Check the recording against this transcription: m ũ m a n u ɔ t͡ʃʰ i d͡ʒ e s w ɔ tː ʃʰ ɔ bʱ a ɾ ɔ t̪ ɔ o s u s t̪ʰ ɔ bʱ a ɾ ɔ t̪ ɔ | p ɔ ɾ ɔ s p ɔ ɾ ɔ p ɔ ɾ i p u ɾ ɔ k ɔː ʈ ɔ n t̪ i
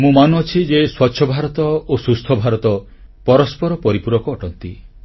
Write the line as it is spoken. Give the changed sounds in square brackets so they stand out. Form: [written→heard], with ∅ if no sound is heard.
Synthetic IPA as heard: m ũ m a n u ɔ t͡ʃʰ i d͡ʒ e s w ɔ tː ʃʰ ɔ bʱ a ɾ ɔ t̪ ɔ o s u s t̪ʰ ɔ bʱ a ɾ ɔ t̪ ɔ | p ɔ ɾ ɔ s p ɔ ɾ ɔ p ɔ ɾ i p u ɾ ɔ k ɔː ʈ ɔ n t̪ i